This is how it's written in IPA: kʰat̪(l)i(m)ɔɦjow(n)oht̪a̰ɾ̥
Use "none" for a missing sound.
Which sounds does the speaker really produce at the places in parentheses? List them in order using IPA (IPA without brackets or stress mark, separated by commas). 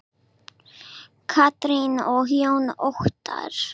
ɾ, n, n